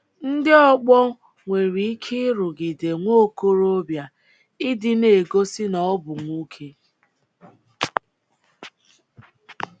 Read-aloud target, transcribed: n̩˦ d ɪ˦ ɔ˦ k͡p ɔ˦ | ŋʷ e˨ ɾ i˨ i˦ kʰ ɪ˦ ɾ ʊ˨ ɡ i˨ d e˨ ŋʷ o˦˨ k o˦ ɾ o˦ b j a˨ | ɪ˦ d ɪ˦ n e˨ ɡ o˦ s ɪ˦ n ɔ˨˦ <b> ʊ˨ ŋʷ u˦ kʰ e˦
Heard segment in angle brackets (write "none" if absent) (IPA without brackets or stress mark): b